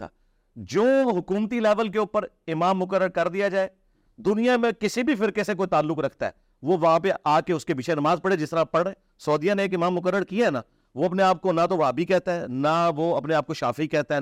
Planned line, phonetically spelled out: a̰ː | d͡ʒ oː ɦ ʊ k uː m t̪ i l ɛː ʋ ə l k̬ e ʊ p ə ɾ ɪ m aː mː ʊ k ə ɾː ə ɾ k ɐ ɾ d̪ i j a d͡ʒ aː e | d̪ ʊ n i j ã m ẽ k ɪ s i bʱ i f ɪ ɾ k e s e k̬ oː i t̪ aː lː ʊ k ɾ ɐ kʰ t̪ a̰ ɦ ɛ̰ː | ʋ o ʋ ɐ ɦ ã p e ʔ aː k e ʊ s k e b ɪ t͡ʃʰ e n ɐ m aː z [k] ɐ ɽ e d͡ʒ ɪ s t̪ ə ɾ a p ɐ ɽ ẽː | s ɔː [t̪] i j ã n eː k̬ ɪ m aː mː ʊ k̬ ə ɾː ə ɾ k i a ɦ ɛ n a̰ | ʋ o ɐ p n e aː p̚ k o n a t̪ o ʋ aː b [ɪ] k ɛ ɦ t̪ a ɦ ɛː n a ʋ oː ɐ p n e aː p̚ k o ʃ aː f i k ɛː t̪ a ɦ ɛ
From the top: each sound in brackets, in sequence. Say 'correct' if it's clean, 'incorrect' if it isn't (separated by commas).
incorrect, incorrect, incorrect